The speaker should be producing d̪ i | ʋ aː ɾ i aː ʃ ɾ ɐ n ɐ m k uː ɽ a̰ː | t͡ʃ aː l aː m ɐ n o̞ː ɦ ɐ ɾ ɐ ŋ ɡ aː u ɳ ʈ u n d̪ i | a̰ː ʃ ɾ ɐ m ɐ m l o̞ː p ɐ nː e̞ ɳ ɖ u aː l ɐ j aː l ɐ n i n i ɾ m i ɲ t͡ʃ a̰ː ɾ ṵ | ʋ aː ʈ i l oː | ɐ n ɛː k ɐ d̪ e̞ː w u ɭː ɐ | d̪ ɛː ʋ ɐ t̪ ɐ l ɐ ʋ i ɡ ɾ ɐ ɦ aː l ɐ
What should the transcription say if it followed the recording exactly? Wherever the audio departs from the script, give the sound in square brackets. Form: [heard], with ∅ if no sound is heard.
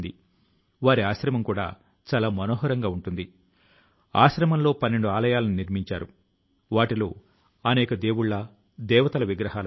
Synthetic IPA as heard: d̪ i | ʋ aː ɾ i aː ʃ ɾ ɐ [m] ɐ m k uː ɽ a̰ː | t͡ʃ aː l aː m ɐ n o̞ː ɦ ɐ ɾ ɐ ŋ ɡ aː u ɳ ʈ u n d̪ i | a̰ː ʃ ɾ ɐ m ɐ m l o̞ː p ɐ nː e̞ ɳ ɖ u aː l ɐ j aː l ɐ n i n i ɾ m i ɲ t͡ʃ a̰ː ɾ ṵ | ʋ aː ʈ i l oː | ɐ n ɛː k ɐ d̪ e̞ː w u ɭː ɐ | d̪ ɛː ʋ ɐ t̪ ɐ l ɐ ʋ i ɡ ɾ ɐ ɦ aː l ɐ